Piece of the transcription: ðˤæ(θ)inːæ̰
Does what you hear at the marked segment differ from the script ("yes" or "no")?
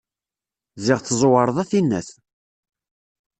no